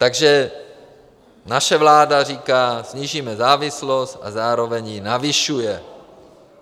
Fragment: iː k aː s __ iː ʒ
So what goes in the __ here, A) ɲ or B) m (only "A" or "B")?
A